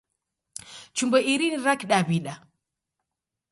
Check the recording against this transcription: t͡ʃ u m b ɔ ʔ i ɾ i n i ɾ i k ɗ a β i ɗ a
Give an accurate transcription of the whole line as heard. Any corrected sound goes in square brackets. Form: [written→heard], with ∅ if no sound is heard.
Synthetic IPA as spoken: t͡ʃ u m b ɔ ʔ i ɾ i n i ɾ [i→a] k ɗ a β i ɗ a